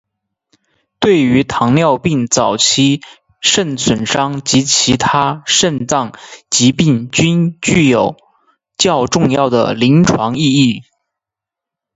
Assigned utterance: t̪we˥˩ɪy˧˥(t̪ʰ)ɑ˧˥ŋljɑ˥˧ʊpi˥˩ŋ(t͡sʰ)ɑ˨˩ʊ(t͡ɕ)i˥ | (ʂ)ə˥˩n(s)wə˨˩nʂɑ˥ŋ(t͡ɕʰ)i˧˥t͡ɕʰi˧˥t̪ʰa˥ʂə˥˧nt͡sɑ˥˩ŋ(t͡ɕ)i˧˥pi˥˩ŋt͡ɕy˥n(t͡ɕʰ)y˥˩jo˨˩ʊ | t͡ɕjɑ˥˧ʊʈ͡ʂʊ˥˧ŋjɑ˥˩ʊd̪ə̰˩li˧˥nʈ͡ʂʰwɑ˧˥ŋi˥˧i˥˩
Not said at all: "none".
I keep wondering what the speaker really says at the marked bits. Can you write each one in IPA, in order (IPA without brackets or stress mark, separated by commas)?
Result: t̪ʰ, t͡s, t͡ɕʰ, ʂ, s, t͡ɕ, t͡ɕ, t͡ɕ